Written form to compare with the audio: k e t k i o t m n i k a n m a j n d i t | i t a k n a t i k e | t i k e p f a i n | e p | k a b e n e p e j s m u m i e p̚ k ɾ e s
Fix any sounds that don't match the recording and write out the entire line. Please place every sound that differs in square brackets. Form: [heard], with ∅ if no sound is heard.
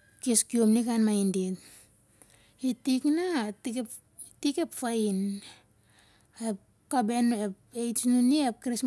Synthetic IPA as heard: k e [s] k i o [∅] m n i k a n m a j n d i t | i t [i] k n a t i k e | t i k e p f a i n | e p | k a b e n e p e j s [n] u [n] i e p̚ k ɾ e s

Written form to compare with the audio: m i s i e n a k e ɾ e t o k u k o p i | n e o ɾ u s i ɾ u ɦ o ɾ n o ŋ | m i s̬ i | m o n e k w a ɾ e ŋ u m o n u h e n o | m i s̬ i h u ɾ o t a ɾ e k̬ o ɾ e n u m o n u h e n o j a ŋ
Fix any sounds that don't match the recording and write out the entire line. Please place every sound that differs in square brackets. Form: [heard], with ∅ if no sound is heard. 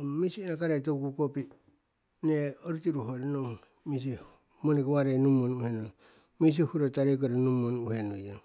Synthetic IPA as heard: m i s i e n a k [a] ɾ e t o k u k o p i | n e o ɾ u [t] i ɾ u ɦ o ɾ n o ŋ | m i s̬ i | m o n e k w a ɾ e [n] u m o n u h e n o | m i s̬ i h u ɾ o t a ɾ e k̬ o ɾ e n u m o n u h e n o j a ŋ

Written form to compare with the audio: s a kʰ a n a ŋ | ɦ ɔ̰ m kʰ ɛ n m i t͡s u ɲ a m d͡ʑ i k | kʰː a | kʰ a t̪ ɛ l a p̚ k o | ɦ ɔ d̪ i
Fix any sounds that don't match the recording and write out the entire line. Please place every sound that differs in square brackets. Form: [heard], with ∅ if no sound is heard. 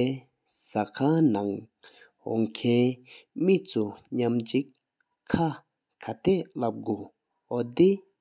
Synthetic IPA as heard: s a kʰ a n a ŋ | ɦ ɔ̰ [ŋ] kʰ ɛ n m i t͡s u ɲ a m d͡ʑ i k | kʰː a | kʰ a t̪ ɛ l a p̚ [ɡ] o | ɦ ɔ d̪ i

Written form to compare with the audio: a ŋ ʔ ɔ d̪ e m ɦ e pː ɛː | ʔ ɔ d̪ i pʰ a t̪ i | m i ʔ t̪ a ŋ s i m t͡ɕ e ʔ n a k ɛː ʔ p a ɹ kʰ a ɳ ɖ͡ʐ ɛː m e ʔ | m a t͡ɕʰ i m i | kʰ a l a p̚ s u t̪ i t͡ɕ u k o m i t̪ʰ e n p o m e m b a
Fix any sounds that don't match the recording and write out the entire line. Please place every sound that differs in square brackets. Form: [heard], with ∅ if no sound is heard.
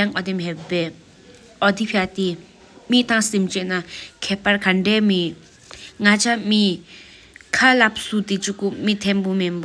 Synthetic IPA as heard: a ŋ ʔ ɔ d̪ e m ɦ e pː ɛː | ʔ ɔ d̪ i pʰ a t̪ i | m i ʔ t̪ a ŋ s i m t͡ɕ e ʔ n a [kʰ] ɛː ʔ p a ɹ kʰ a ɳ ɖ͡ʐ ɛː m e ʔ | [ŋ] a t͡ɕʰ [a] m i | kʰ a l a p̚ s u t̪ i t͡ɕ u k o m i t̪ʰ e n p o m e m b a

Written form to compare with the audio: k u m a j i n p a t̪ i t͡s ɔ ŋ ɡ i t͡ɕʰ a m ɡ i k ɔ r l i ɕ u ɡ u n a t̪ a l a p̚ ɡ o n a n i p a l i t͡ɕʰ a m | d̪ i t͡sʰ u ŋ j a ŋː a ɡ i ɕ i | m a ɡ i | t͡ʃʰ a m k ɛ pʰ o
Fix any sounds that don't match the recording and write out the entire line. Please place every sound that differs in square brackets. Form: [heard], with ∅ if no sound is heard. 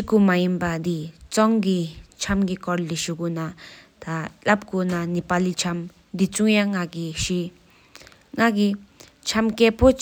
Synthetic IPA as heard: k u m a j i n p a [d̪] i t͡s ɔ ŋ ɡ i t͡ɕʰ a m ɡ i k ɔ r l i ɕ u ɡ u n a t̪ a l a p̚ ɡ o n a n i p a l i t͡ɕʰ a m | d̪ i [t͡s] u ŋ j a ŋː a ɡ i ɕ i | [ŋ] a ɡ i | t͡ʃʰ a m k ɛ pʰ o

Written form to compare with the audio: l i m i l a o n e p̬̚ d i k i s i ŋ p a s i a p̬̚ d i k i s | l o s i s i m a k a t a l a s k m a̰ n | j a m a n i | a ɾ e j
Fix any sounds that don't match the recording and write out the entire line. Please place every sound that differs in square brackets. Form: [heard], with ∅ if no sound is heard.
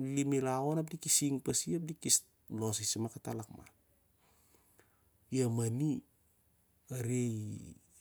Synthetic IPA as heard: l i m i l a o n [a] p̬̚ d i k i s i ŋ p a s i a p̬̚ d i k i s | l o s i s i m a k a t a l a [∅] k m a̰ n | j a m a n i | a ɾ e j

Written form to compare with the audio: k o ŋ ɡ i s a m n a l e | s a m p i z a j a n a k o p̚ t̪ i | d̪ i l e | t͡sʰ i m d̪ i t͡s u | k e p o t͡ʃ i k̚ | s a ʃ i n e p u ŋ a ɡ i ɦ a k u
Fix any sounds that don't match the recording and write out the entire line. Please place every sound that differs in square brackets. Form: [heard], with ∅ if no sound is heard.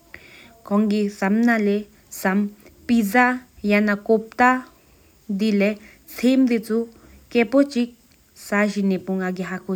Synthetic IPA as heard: k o ŋ ɡ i s a m n a l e | s a m p i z a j a n a k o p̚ t̪ [a] | d̪ i l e | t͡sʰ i m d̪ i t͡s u | k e p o t͡ʃ i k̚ | s a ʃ i n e p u ŋ a ɡ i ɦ a k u

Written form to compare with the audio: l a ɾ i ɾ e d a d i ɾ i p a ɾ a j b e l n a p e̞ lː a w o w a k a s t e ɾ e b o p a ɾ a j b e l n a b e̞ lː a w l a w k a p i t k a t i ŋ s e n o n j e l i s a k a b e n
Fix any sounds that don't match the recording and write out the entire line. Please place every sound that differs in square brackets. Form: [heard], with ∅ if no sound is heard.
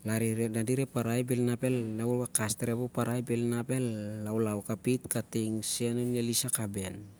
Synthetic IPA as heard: l a ɾ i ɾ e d a d i ɾ [e] p a ɾ a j b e l n a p e̞ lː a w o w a k a s t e ɾ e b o p a ɾ a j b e l n a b e̞ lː a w l a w k a p i t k a t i ŋ s e n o n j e l i s a k a b e n

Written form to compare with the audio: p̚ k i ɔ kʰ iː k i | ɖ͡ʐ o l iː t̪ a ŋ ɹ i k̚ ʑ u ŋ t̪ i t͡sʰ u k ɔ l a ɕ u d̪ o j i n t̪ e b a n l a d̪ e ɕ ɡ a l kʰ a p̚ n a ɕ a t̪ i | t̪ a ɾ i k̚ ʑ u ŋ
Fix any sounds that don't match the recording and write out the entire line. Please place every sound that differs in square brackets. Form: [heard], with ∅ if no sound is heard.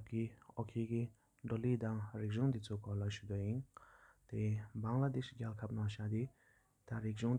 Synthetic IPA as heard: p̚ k i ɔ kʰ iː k i | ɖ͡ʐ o l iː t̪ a ŋ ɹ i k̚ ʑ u ŋ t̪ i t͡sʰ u k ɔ l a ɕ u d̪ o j i n t̪ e b a [ŋ] l a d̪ e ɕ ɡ a l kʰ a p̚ n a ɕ a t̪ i | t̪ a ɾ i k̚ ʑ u ŋ

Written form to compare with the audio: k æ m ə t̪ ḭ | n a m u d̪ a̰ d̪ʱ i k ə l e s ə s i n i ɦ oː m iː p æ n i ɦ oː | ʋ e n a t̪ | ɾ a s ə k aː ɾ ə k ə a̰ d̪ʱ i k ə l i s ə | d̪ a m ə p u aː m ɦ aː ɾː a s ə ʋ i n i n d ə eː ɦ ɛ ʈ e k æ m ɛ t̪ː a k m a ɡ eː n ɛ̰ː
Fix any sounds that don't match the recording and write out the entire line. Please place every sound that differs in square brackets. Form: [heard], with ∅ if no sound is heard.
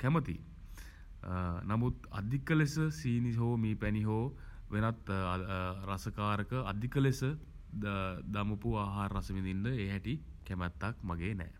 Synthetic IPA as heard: k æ m ə t̪ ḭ | n a m u [t̪] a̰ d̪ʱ i k ə l e s ə s [iː] n i ɦ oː m iː p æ n i ɦ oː | ʋ e n a t̪ | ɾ a s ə k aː ɾ ə k ə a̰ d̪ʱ i k ə l [e] s ə | d̪ a m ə p u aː [∅] ɦ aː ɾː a s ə ʋ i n i n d ə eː ɦ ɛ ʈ [i] k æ m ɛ t̪ː a k m a ɡ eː n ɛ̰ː

